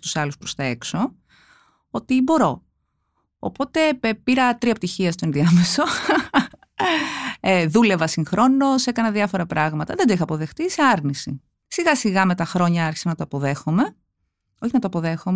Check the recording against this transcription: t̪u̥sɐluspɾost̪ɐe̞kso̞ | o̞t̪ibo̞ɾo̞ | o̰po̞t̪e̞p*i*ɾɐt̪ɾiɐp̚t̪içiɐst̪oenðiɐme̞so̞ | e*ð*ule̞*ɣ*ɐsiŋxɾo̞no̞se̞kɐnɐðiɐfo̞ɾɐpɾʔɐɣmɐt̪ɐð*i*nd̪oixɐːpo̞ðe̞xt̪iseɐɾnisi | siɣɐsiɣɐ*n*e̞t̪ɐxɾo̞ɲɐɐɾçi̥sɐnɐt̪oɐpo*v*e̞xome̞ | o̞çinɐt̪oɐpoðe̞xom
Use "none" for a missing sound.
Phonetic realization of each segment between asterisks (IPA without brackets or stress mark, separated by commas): i, ð, v, e, m, ð